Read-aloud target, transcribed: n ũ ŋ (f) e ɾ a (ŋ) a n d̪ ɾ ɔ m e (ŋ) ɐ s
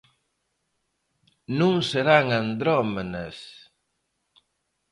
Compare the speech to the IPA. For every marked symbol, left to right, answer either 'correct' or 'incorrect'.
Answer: incorrect, correct, incorrect

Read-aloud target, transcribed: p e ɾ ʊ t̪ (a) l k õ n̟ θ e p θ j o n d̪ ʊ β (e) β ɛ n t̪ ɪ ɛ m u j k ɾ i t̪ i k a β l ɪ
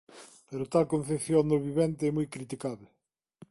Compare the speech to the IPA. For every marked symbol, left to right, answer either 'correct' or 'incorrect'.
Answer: correct, incorrect

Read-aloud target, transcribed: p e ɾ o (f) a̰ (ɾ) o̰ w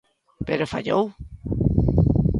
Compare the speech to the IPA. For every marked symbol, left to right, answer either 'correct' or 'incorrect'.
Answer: correct, incorrect

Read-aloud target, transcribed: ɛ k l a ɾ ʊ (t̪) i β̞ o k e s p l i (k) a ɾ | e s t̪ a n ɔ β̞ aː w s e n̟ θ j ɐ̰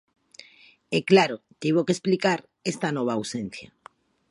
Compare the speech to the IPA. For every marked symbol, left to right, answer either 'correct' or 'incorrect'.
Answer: correct, correct

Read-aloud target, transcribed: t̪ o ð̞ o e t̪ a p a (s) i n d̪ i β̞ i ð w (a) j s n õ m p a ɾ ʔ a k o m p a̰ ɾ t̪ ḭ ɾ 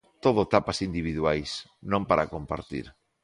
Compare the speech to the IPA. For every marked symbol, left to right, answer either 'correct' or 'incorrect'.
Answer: correct, correct

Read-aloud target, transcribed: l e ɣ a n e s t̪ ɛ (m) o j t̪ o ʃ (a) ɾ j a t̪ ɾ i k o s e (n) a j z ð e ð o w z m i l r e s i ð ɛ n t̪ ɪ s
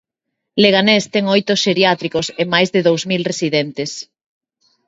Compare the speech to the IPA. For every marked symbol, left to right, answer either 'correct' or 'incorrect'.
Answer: incorrect, incorrect, incorrect

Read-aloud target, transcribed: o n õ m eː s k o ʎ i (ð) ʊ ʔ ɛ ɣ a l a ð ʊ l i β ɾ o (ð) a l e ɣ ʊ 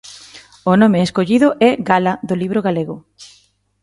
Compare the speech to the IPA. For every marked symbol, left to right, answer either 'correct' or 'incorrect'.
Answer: correct, incorrect

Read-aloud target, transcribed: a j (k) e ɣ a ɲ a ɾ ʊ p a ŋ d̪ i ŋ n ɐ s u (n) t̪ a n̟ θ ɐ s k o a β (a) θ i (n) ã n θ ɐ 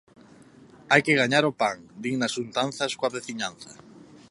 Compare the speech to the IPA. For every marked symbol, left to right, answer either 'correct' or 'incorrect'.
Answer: correct, correct, incorrect, incorrect

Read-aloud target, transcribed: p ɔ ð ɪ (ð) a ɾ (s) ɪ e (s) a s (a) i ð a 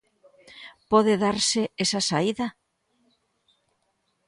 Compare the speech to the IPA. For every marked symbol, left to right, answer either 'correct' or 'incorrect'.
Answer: correct, correct, correct, correct

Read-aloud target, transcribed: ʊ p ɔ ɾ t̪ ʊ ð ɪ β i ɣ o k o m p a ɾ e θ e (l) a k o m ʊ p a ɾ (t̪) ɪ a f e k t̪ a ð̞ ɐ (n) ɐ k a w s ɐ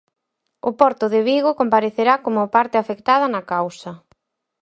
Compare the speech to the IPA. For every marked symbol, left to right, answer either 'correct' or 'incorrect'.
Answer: incorrect, correct, correct

